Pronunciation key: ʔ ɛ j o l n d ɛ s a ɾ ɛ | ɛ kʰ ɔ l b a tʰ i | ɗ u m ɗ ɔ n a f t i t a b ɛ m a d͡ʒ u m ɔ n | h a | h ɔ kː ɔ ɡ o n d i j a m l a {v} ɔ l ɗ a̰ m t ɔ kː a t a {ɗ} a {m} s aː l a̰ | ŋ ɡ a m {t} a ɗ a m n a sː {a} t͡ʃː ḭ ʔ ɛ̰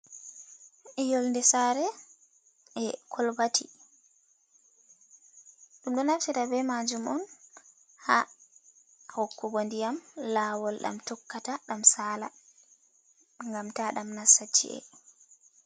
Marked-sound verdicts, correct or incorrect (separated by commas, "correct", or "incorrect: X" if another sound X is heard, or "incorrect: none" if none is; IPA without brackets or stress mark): incorrect: w, correct, correct, correct, correct